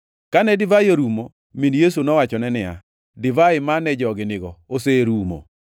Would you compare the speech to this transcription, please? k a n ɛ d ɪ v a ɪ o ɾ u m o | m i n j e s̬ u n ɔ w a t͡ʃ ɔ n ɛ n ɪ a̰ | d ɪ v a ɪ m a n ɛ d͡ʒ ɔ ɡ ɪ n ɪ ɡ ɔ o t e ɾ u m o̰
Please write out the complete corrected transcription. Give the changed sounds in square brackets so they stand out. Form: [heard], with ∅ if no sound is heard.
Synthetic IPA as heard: k a n ɛ d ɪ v a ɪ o ɾ u m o | m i n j e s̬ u n ɔ w a t͡ʃ ɔ n ɛ n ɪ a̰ | d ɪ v a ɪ m a n ɛ d͡ʒ ɔ ɡ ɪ n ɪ ɡ ɔ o [s] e ɾ u m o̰